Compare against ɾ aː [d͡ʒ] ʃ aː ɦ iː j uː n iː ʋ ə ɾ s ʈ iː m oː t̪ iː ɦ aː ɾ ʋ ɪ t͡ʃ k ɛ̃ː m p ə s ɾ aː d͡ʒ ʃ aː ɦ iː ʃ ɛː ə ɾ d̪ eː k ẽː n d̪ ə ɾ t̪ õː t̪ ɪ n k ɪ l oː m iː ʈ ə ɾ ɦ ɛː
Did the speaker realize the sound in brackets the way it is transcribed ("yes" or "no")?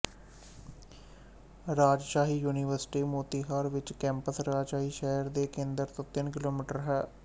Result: yes